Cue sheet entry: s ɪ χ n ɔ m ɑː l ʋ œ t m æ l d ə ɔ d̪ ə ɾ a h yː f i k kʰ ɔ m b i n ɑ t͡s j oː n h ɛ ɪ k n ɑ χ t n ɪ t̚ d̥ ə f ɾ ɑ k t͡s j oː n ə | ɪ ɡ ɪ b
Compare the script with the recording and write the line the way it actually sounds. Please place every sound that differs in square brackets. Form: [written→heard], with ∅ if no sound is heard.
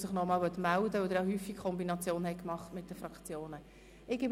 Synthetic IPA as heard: s ɪ χ n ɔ m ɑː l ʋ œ t m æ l d ə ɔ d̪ ə ɾ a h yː f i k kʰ ɔ m b i n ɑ t͡s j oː n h ɛ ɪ k [n→m] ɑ χ t [n→m] ɪ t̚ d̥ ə f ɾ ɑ k t͡s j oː n ə | ɪ ɡ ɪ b